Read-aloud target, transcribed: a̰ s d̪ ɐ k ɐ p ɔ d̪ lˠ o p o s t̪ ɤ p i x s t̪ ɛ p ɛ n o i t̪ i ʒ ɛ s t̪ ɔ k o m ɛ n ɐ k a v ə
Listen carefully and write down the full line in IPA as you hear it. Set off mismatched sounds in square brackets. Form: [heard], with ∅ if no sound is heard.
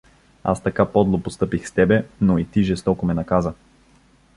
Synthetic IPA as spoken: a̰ s [t̪] ɐ k [a] p ɔ d̪ lˠ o p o s t̪ ɤ p i x s t̪ ɛ [b] ɛ n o i t̪ i ʒ ɛ s t̪ ɔ k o m ɛ n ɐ k a [z] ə